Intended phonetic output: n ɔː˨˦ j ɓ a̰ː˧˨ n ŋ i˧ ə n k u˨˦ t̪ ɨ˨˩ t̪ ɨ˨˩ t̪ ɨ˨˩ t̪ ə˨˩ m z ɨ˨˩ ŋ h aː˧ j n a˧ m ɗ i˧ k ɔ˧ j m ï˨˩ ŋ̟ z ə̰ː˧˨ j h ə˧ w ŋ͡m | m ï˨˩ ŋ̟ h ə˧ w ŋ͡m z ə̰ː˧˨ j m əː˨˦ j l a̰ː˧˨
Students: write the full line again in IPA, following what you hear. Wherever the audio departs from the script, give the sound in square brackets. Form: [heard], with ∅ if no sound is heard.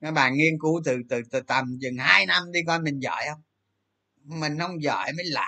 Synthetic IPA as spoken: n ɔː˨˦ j ɓ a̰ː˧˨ n ŋ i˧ ə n k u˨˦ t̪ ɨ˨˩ t̪ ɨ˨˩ t̪ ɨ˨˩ t̪ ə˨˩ m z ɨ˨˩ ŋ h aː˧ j n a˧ m ɗ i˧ k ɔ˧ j m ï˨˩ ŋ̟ z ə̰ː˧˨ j h ə˧ w ŋ͡m | m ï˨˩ ŋ̟ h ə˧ w ŋ͡m z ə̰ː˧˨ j m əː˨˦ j l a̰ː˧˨